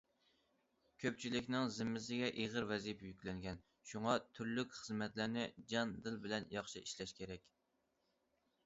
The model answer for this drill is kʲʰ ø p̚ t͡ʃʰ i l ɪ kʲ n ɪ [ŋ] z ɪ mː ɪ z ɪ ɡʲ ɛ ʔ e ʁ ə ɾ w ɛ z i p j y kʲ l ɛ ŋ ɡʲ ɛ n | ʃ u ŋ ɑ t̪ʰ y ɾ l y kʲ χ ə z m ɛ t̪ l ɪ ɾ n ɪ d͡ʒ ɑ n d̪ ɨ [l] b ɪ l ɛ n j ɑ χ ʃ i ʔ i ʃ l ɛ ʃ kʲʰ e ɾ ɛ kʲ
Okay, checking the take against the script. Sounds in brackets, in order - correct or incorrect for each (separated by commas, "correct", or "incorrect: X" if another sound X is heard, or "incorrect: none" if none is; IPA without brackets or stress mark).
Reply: correct, correct